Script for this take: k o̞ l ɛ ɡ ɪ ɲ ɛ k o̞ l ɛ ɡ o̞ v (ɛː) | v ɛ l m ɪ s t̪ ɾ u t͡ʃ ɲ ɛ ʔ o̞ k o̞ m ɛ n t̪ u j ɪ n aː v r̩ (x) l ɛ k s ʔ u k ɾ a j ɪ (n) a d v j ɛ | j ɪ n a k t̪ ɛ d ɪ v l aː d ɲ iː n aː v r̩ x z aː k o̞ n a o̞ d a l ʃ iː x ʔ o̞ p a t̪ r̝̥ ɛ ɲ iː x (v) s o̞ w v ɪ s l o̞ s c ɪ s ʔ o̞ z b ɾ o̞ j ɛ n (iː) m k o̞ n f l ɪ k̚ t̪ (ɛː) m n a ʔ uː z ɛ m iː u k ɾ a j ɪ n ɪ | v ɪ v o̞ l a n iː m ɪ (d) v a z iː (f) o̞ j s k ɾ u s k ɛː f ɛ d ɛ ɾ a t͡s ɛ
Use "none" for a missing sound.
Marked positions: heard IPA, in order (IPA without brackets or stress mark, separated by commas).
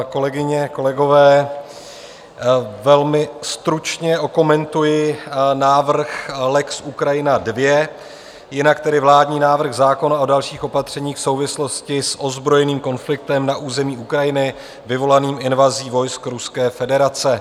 ɛː, x, n, f, iː, ɛ, n, v